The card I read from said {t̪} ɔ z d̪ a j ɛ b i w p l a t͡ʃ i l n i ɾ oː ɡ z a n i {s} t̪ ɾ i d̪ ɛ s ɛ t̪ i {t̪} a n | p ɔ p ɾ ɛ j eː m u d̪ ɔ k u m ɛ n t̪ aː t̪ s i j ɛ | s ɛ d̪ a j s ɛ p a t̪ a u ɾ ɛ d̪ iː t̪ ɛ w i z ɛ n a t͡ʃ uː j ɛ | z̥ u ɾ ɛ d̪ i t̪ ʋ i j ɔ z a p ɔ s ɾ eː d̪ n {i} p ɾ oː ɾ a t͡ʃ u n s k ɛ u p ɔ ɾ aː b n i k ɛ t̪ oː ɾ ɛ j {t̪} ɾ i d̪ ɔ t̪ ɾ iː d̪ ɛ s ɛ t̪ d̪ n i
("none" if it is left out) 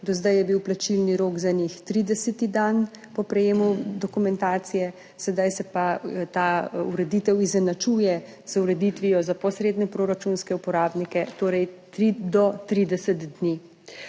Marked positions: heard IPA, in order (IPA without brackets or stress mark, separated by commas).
d̪, x, d̪, ɛ, t̪